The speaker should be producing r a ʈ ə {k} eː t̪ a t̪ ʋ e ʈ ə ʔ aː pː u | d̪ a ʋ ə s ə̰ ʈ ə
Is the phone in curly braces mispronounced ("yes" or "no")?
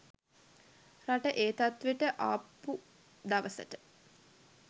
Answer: yes